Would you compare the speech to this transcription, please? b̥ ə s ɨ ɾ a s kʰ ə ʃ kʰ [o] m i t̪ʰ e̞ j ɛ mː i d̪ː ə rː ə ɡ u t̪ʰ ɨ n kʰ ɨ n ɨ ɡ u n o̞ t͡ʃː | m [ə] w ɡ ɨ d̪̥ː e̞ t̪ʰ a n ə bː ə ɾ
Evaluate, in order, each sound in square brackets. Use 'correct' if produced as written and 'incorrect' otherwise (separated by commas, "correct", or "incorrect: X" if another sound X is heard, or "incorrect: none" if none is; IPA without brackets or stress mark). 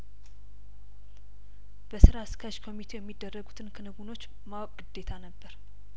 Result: correct, incorrect: a